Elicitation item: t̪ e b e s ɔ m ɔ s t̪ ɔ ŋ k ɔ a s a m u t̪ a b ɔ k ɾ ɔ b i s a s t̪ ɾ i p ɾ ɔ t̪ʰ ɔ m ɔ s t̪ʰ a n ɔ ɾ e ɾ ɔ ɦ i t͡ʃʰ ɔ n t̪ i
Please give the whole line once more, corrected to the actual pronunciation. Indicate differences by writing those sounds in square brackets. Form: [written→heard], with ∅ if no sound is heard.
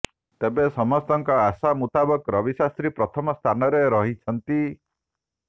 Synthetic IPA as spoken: t̪ e b e s ɔ m ɔ s t̪ ɔ ŋ k ɔ a s a m u t̪ a b ɔ k ɾ ɔ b i s a s t̪ ɾ i p ɾ ɔ t̪ʰ ɔ m ɔ s t̪ʰ a n ɔ ɾ e ɾ ɔ ɦ i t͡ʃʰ ɔ n t̪ i